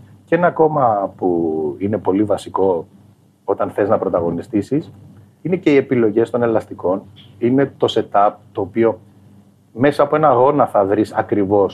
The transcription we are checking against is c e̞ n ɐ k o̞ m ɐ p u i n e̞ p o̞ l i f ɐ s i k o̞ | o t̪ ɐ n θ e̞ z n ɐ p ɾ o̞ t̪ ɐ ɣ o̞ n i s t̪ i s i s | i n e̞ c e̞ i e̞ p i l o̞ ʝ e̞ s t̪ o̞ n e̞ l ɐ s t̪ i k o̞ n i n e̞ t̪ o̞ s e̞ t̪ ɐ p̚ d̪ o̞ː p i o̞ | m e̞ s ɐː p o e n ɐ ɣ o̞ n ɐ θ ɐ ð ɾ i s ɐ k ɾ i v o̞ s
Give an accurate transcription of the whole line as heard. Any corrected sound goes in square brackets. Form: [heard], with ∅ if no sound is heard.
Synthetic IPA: c e̞ n ɐ k o̞ m ɐ p u i n e̞ p o̞ l i [v] ɐ s i k o̞ | o t̪ ɐ n θ e̞ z n ɐ p ɾ o̞ t̪ ɐ ɣ o̞ n i s t̪ i s i s | i n e̞ c e̞ i e̞ p i l o̞ ʝ e̞ s t̪ o̞ n e̞ l ɐ s t̪ i k o̞ n i n e̞ t̪ o̞ s e̞ t̪ ɐ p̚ [t̪] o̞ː p i o̞ | m e̞ s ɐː p o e n ɐ ɣ o̞ n ɐ θ ɐ ð ɾ i s ɐ k ɾ i v o̞ s